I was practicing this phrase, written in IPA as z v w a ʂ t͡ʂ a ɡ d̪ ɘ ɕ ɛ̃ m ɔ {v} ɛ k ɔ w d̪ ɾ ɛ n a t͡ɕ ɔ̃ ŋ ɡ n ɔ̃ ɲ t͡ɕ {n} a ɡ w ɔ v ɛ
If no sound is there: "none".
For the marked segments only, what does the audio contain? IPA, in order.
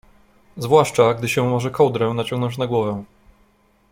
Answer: ʐ, n

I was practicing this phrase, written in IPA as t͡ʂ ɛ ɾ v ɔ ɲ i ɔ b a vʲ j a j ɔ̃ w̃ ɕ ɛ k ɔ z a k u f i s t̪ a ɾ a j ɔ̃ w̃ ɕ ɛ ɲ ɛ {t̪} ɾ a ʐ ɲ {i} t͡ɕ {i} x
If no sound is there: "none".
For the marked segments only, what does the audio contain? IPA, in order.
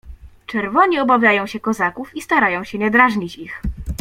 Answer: d̪, i, i

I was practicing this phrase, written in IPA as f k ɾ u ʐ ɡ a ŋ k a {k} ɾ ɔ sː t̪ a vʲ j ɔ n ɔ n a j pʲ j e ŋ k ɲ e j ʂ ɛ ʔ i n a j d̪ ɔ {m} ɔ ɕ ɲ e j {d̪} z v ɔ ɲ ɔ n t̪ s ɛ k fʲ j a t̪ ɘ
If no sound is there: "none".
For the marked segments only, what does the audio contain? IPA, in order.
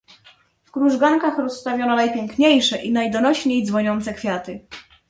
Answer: x, n, d̪

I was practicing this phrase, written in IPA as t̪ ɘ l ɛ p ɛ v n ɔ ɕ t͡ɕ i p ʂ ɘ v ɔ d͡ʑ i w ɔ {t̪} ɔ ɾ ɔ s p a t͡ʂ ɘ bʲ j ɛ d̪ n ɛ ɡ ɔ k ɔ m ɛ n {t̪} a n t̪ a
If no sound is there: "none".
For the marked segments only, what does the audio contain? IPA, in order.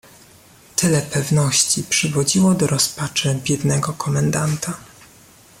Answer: d̪, d̪

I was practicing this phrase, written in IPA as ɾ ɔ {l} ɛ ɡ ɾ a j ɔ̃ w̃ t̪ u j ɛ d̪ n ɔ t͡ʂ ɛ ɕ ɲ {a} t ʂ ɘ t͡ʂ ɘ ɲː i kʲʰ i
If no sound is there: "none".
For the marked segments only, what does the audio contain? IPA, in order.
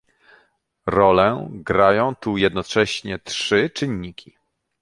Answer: l, ɛ

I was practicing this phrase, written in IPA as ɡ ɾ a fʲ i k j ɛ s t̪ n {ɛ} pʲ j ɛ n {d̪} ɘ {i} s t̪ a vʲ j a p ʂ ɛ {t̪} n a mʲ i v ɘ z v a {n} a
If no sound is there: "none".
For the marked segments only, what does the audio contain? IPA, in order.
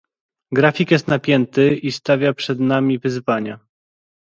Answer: a, t̪, i, d̪, ɲ

